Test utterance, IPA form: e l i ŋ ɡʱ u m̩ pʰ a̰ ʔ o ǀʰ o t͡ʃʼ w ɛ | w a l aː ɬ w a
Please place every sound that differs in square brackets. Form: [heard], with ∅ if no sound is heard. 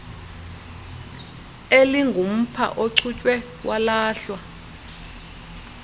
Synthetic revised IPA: e l i ŋ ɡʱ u m̩ pʰ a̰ ʔ o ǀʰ [u] t͡ʃʼ w ɛ | w a l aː ɬ w a